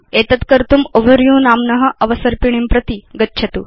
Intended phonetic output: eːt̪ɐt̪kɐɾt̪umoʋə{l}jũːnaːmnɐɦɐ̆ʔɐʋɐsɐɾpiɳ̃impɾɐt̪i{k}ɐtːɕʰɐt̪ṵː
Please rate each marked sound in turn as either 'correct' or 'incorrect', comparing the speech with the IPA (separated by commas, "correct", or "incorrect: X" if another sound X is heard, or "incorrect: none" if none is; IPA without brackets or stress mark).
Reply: incorrect: ɾ, incorrect: ɡ